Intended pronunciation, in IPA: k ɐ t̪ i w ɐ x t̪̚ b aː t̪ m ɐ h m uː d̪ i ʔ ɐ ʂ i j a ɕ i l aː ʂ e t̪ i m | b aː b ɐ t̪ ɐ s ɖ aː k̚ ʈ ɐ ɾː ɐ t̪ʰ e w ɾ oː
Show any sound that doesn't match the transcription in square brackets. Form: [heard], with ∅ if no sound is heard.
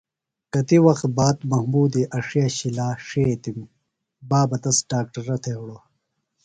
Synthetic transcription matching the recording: k ɐ t̪ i w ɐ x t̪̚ b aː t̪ m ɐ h m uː d̪ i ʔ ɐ ʂ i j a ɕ i l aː ʂ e t̪ i m | b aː b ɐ t̪ ɐ s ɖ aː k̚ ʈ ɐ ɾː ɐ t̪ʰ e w [ɽ] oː